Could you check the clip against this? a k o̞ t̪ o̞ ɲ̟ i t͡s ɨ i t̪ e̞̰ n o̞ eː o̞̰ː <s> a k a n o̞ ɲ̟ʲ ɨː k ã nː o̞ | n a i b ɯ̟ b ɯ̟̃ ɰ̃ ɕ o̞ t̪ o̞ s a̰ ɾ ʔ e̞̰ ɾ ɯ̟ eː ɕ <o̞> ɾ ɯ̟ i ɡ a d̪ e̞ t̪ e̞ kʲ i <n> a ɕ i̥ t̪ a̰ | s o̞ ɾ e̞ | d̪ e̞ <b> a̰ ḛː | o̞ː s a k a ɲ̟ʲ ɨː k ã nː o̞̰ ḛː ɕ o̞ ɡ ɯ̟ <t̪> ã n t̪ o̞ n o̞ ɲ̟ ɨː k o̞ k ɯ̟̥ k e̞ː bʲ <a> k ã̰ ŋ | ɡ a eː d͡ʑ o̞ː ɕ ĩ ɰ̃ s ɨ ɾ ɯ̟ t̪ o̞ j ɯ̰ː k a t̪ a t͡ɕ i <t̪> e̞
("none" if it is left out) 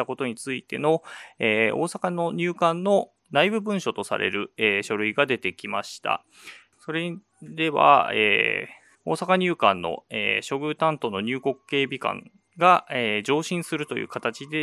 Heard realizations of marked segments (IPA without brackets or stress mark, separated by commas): s, o̞, m, β, t̪, i, d̪